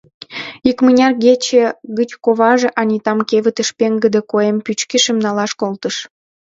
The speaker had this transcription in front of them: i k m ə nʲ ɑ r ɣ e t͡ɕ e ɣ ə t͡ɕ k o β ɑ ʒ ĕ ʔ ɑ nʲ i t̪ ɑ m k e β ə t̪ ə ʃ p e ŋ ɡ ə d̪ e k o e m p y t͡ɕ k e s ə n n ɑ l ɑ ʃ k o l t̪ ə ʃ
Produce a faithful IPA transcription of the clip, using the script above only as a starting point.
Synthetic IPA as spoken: i k m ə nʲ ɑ r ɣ e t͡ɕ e ɣ ə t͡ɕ k o β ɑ ʒ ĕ ʔ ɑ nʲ i t̪ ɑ m k e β ə t̪ ə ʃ p e ŋ ɡ ə d̪ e k o e m p y t͡ɕ k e ʃ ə m n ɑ l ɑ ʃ k o l t̪ ə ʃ